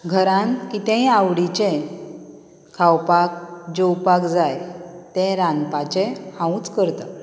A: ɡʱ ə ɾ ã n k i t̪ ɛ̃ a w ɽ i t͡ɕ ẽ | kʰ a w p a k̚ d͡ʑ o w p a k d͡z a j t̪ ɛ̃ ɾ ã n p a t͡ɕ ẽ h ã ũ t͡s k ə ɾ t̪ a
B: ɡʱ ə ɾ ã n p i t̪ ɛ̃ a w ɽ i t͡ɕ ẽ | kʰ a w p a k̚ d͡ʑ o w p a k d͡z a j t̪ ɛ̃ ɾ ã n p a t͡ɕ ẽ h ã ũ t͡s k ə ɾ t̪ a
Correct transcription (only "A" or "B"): A